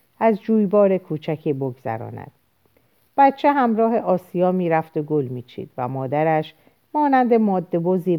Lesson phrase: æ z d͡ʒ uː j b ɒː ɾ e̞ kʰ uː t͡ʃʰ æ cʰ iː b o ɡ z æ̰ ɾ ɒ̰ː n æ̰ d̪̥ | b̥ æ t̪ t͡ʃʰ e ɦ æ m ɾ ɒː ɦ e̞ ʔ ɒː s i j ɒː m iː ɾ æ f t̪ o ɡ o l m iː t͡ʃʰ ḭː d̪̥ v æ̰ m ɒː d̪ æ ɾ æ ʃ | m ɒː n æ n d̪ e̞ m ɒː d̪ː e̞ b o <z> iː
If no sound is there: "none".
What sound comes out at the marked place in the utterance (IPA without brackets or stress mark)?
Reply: z